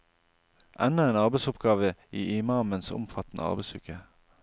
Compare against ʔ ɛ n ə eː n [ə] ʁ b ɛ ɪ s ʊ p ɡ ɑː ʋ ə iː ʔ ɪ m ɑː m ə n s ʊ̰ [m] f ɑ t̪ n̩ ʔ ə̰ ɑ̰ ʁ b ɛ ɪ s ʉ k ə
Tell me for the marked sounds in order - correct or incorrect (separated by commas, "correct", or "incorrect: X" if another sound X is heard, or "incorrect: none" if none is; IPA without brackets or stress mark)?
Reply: incorrect: ɑ, correct